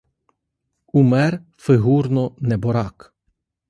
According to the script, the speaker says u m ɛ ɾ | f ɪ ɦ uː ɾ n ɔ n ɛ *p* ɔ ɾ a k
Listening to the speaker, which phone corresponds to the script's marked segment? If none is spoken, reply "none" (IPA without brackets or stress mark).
b